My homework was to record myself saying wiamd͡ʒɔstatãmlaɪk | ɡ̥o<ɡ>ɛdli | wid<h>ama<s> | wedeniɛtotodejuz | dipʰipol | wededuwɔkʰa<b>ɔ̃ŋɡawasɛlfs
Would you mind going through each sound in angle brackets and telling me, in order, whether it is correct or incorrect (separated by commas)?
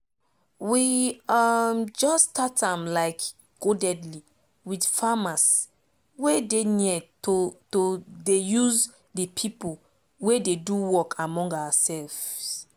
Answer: incorrect, incorrect, correct, incorrect